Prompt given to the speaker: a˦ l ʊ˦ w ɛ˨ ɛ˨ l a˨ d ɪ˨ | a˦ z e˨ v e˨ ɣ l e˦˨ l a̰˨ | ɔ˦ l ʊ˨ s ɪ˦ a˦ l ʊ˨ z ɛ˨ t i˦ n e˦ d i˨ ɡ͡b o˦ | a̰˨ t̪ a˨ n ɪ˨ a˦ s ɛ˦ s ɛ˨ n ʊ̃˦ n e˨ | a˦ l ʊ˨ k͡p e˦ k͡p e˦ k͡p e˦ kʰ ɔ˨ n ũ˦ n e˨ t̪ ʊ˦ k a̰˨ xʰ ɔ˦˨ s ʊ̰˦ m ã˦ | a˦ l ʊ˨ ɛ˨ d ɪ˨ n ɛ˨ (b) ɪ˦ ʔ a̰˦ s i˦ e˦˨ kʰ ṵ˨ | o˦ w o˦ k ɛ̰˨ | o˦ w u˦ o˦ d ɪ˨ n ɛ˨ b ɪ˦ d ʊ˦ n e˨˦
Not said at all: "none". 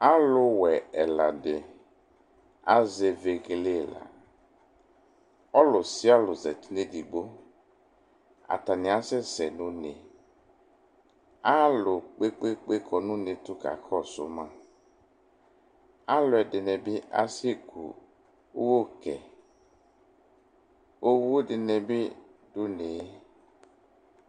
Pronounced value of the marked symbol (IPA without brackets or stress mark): b